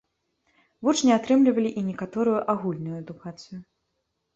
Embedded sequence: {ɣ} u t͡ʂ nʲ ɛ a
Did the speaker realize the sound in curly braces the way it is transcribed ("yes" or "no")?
no